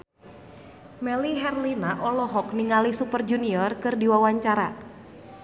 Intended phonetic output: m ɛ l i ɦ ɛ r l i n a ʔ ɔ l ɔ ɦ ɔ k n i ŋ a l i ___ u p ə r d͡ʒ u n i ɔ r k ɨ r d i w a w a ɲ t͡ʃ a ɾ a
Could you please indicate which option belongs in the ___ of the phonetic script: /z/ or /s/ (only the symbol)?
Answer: s